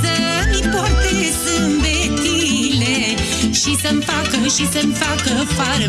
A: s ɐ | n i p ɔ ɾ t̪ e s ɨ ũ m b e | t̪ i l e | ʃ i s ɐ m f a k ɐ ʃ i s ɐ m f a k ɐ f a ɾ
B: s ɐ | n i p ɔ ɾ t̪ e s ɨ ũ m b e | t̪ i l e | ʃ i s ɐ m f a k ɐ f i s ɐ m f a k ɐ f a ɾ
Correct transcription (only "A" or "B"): A